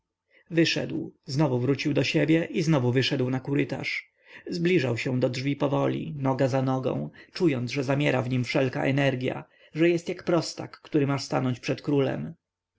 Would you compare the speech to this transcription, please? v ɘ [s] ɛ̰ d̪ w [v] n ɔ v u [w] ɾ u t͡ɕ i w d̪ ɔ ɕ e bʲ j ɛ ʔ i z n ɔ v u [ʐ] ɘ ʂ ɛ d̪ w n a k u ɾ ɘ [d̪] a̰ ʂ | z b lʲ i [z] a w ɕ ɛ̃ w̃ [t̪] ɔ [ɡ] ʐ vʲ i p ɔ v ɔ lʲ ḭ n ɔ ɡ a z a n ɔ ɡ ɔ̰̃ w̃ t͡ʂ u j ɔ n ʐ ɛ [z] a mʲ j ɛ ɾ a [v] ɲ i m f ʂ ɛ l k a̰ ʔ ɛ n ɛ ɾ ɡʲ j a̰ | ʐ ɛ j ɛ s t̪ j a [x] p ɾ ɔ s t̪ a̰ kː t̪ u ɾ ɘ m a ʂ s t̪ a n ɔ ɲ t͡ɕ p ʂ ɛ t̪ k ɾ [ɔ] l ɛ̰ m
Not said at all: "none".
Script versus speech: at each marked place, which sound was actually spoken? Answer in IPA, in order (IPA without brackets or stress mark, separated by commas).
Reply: ʂ, z, v, v, t̪, ʐ, d̪, d, z, v, k, u